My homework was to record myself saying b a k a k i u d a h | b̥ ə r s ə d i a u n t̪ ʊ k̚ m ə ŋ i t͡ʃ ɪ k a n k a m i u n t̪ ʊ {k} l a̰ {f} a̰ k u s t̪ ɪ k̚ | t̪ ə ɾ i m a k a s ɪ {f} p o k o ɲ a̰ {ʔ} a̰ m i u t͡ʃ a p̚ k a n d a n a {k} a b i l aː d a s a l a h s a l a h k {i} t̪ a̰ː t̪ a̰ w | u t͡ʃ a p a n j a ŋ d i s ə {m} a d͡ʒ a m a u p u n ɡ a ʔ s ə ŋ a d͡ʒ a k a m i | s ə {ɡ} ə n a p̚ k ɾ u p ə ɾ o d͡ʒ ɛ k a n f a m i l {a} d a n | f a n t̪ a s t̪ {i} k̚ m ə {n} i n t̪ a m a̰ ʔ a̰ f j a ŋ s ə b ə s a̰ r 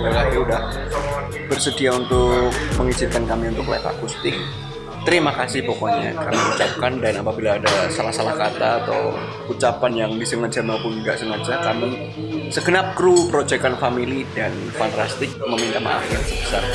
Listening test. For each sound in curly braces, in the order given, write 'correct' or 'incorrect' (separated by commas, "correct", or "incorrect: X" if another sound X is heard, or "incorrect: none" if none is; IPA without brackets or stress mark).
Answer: correct, correct, incorrect: h, incorrect: k, incorrect: p, incorrect: a, incorrect: ŋ, correct, incorrect: i, incorrect: ɪ, incorrect: m